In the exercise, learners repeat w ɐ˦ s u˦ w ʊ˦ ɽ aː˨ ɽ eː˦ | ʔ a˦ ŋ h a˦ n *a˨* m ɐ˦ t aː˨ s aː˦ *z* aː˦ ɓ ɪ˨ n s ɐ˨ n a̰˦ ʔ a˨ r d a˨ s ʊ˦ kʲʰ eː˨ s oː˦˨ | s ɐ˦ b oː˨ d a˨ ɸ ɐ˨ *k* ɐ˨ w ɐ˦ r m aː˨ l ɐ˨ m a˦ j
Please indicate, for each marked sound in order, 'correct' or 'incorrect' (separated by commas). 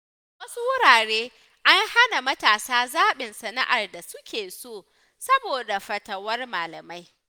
correct, correct, incorrect